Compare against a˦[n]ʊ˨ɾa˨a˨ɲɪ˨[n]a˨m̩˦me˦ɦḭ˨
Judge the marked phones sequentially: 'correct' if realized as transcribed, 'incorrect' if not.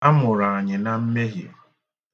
incorrect: m, correct

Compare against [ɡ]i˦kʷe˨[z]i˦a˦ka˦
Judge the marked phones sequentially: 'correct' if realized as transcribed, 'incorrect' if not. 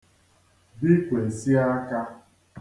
incorrect: b, incorrect: s

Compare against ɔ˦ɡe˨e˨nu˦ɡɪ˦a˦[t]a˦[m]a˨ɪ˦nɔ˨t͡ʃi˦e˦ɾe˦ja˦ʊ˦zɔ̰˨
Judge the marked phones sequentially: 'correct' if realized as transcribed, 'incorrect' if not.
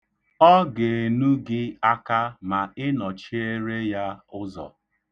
incorrect: k, correct

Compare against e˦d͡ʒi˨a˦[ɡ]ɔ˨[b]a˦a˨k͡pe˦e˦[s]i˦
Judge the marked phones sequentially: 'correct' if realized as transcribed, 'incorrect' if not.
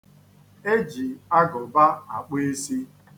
correct, correct, correct

